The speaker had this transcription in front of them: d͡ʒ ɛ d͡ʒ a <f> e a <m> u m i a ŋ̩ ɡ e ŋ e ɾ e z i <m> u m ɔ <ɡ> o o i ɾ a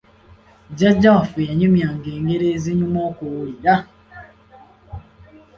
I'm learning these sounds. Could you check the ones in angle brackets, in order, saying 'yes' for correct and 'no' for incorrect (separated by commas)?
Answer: yes, no, no, no